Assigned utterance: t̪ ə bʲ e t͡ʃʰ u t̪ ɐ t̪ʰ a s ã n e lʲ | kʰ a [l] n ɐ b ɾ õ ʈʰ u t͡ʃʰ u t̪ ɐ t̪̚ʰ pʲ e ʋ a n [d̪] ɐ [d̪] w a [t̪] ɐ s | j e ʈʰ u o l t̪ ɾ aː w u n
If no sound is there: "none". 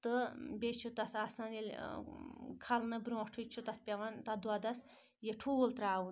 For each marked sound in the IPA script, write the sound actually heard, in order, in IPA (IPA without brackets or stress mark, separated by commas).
l, t̪, d̪, d̪